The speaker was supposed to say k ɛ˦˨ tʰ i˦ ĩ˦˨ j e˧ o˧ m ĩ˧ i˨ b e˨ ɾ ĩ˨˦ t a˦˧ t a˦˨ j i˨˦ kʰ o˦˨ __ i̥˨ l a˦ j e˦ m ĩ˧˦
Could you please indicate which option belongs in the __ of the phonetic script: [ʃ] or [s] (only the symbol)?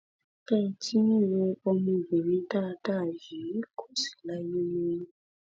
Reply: s